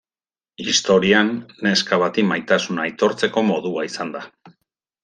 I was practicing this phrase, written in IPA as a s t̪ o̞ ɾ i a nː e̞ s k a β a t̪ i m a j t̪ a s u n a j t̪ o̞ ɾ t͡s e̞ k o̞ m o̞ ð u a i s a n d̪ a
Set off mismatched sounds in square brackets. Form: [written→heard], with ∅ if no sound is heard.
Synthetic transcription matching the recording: [a→i] s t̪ o̞ ɾ i a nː e̞ s k a β a t̪ i m a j t̪ a s u n a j t̪ o̞ ɾ t͡s e̞ k o̞ m o̞ ð u a i s a n d̪ a